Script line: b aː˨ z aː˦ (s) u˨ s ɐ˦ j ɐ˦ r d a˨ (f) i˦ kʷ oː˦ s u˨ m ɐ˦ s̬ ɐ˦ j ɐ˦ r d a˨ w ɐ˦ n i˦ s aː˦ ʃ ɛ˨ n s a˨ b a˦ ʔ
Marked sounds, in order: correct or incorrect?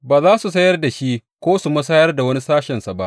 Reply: correct, incorrect

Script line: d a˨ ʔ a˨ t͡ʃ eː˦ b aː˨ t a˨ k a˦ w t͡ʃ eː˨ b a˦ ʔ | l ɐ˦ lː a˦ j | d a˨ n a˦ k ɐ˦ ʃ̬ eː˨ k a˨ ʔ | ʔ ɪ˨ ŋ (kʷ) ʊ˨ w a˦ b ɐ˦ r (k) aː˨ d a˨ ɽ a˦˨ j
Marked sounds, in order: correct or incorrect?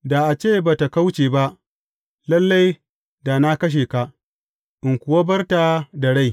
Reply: correct, incorrect

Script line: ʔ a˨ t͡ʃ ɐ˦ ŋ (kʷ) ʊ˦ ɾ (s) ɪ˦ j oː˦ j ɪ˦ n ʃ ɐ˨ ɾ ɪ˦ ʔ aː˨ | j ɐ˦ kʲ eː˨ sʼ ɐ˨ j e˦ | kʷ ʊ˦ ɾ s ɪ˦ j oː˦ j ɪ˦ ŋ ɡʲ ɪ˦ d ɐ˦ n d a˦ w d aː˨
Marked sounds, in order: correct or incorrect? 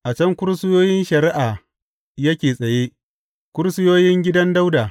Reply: correct, correct

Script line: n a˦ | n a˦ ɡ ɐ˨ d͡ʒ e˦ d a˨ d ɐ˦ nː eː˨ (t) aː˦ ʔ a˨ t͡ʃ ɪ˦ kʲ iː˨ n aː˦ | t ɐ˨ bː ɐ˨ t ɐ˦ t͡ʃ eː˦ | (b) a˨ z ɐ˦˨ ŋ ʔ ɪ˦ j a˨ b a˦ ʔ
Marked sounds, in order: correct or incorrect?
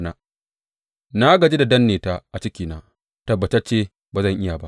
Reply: correct, correct

